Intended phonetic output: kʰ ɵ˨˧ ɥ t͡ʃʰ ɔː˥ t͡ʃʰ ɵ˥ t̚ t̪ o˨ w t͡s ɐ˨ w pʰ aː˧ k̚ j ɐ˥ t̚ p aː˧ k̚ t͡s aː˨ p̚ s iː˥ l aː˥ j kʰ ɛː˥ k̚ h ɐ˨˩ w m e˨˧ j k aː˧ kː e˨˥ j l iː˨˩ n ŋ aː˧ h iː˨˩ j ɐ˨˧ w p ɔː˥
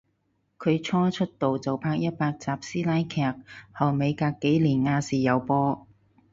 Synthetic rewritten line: kʰ ɵ˨˧ ɥ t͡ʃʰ ɔː˥ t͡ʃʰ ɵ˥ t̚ t̪ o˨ w t͡s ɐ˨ w pʰ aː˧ k̚ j ɐ˥ t̚ p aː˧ k̚ t͡s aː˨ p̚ s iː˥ l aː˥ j kʰ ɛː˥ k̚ h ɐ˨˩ w m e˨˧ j k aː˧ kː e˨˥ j l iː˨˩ n ŋ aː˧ s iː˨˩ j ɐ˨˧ w p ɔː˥